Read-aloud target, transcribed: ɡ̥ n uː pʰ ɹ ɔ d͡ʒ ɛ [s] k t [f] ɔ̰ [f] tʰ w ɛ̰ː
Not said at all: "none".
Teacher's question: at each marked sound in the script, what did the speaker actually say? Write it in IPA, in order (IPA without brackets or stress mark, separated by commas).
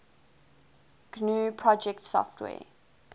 none, s, f